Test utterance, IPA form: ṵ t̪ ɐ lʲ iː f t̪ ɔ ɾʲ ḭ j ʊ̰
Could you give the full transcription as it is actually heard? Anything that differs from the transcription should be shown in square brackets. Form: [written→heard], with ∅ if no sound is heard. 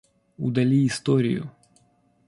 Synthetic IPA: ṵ [t̪→d̪] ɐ lʲ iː [f→s] t̪ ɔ ɾʲ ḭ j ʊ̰